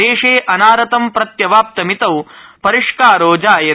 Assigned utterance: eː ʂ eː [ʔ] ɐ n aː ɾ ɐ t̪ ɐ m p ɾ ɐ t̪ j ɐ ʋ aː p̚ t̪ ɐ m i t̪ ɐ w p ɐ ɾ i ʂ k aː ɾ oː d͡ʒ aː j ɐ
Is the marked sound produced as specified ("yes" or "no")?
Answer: yes